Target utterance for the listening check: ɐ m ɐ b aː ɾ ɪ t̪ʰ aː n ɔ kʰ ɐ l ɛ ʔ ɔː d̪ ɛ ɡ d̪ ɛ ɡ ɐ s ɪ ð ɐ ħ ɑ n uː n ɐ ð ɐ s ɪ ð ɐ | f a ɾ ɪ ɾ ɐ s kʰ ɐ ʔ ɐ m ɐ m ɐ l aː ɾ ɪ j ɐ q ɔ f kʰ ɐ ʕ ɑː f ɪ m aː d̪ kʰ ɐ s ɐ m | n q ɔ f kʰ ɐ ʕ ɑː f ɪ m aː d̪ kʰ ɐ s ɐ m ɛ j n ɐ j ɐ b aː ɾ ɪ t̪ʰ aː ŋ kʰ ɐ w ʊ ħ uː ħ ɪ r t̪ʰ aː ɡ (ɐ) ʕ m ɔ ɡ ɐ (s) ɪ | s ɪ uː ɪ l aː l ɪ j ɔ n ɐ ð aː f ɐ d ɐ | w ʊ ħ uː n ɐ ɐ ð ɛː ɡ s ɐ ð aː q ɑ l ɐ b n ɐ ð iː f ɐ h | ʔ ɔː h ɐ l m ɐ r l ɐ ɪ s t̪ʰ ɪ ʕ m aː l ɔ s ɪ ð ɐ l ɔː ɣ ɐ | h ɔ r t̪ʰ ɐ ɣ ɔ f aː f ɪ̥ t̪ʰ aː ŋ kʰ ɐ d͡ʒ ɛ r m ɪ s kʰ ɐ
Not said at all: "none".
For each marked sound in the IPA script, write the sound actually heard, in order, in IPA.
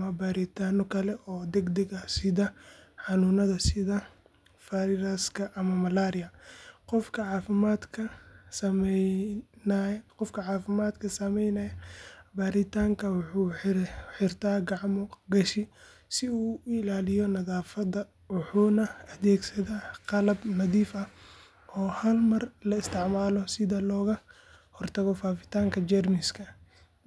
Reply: ɑ, ʃ

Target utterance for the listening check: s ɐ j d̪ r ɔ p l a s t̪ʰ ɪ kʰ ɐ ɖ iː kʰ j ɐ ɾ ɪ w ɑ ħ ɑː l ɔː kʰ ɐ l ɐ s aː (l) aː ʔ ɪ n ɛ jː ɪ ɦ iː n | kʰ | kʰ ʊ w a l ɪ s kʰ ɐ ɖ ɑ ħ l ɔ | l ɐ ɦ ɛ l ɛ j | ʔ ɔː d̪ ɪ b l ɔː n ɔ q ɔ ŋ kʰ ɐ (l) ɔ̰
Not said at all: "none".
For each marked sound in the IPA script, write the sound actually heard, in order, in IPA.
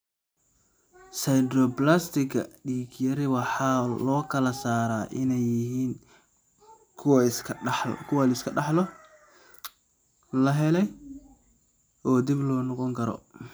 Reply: ɾ, ɾ

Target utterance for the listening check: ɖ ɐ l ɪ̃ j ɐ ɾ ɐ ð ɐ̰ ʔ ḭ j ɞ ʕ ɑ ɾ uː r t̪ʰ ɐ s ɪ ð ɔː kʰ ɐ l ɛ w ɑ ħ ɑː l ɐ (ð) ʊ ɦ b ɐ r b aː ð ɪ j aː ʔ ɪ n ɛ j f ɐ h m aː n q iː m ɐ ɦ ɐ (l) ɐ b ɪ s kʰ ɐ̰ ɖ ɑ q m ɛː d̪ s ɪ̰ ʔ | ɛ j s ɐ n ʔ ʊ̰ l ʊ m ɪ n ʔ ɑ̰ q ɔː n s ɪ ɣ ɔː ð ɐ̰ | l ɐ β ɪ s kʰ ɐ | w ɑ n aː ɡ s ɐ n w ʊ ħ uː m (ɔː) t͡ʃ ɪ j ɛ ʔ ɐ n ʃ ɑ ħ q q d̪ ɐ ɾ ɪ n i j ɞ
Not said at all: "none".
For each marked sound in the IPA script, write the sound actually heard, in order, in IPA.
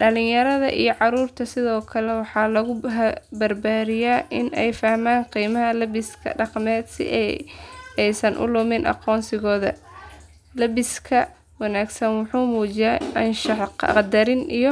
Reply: ɣ, l, uː

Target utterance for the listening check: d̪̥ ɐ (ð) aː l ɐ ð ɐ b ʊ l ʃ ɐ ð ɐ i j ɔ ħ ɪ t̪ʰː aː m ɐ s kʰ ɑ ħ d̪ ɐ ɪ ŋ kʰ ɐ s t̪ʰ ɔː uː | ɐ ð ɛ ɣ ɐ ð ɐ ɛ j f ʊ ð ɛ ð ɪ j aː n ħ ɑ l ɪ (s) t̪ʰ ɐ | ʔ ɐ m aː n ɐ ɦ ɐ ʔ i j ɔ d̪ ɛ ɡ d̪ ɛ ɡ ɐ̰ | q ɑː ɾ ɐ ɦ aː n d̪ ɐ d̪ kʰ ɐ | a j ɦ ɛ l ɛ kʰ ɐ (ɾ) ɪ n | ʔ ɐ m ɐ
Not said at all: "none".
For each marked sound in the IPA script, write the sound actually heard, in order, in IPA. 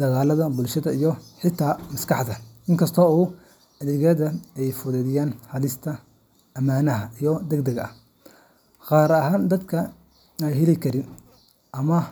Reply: ɣ, s, ɾ

